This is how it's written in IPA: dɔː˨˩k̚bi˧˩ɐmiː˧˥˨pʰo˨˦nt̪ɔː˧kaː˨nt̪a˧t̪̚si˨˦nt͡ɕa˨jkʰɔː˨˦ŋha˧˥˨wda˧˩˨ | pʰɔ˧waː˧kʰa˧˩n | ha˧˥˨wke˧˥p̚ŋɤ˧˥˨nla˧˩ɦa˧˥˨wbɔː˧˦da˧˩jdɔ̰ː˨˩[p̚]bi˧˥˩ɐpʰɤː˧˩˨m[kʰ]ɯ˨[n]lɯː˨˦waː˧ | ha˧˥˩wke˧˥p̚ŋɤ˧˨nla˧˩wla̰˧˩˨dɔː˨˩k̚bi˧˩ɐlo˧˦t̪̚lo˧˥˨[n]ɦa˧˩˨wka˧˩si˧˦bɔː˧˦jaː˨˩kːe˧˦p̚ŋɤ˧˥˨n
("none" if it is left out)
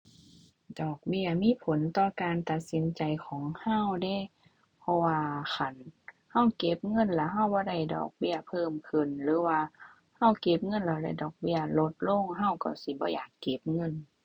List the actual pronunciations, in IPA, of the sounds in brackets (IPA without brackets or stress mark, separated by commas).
k̚, kʰ, n, ŋ